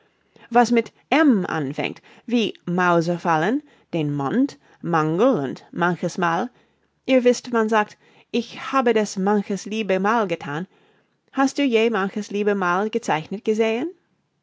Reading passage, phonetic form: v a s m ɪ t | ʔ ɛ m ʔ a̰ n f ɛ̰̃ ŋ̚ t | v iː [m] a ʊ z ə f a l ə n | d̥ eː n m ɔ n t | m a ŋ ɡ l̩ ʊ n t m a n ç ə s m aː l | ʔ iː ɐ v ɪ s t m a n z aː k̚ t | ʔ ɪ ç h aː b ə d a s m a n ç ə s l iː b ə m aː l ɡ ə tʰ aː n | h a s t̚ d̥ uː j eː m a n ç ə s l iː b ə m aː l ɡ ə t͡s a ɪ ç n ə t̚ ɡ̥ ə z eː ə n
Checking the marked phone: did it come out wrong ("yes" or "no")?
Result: no